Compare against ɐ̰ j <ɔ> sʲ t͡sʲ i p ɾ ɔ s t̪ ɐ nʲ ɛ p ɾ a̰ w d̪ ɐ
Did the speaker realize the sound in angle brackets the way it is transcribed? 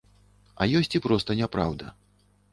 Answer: yes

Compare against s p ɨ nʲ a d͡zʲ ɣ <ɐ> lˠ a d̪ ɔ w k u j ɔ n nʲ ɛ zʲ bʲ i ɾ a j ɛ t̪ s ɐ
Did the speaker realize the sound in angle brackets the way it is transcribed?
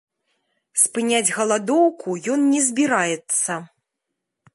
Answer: yes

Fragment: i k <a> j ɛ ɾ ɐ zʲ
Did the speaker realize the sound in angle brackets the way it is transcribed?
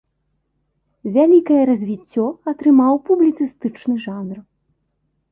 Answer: no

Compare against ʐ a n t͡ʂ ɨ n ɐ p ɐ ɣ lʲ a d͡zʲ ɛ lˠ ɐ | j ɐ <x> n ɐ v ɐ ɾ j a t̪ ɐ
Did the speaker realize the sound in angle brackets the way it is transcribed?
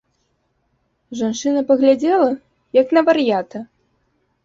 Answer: no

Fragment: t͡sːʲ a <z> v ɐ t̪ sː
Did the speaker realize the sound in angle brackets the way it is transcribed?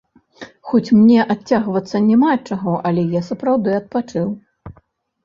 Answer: no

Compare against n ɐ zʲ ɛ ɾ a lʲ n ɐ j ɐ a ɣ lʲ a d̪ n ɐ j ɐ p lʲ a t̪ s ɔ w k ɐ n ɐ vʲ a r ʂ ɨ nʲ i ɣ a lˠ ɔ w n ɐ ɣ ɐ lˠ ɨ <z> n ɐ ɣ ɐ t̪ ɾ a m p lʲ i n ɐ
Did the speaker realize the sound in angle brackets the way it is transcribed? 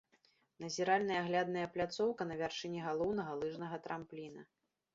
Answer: no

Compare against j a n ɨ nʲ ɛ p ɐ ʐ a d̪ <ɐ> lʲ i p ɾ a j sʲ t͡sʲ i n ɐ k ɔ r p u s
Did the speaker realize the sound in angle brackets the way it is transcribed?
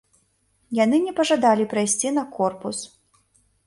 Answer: no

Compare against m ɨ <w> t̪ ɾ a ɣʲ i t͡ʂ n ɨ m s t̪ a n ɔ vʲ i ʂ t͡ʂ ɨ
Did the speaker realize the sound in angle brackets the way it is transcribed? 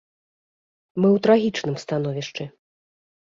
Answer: yes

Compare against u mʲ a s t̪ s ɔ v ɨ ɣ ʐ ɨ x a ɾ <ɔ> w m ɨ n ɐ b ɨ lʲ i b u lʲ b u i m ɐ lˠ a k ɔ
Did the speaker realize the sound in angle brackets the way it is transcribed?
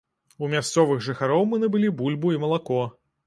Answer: yes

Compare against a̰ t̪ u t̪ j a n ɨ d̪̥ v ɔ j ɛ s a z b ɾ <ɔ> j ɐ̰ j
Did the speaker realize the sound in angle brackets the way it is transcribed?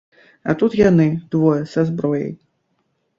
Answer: yes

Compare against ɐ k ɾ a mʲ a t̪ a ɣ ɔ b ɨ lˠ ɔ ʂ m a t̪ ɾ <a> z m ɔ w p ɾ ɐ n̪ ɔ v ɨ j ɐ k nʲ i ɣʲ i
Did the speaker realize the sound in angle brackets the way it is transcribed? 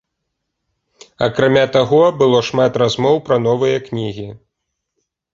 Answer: yes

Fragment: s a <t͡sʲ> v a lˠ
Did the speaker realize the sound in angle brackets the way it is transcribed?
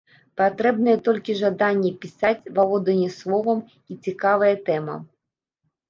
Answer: yes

